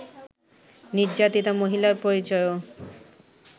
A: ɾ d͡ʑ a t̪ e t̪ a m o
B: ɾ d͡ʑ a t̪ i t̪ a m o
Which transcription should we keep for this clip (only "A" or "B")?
B